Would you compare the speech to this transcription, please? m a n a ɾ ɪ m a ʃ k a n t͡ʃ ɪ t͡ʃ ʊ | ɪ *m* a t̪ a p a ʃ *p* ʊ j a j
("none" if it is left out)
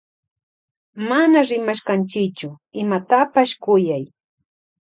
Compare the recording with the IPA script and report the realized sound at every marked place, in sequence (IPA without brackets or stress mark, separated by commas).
m, k